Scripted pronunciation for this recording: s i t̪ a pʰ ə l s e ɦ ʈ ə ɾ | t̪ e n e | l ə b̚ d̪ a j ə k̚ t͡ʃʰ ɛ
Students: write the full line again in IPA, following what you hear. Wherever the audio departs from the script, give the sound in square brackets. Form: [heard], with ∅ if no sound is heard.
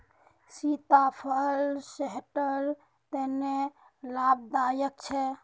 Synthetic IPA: s i t̪ a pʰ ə l s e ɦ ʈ ə ɾ | t̪ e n e | l [a] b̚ d̪ a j ə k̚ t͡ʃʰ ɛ